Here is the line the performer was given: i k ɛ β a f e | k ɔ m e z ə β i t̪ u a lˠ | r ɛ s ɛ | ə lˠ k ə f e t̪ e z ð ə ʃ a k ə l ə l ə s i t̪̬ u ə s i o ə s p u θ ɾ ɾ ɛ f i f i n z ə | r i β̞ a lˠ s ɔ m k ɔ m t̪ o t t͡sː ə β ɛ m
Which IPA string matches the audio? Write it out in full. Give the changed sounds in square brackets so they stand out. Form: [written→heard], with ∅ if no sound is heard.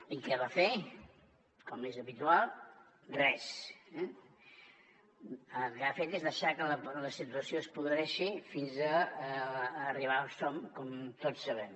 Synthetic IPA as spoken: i k ɛ β a f e | k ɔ m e z ə β i t̪ u a lˠ | r ɛ s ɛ | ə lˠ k [ə→a] f e t̪ e z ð ə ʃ a k ə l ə l ə s i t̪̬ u ə s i o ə s p u [θ→ð] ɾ ɾ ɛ [f→ʃ] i f i n z ə | r i β̞ a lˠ s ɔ m k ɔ m t̪ o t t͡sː ə β ɛ m